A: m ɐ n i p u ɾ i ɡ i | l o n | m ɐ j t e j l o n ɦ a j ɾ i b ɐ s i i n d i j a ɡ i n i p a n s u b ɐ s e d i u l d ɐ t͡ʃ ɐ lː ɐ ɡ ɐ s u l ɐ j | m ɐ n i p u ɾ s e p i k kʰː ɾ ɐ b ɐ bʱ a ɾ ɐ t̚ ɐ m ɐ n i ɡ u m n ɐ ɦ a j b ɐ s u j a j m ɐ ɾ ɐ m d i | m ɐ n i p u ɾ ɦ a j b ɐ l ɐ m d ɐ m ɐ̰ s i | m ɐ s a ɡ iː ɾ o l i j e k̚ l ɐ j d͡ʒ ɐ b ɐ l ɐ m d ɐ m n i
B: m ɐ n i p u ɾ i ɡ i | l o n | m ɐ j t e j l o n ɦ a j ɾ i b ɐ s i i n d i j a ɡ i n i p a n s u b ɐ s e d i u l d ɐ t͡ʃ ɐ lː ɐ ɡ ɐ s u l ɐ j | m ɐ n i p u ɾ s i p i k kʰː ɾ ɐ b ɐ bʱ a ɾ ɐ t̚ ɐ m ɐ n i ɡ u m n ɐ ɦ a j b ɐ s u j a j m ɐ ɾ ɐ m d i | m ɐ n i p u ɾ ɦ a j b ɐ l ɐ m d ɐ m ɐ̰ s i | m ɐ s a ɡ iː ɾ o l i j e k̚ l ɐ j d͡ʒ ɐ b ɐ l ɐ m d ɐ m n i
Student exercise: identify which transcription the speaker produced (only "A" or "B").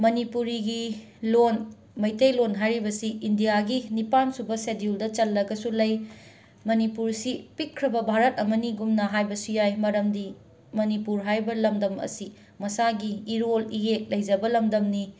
B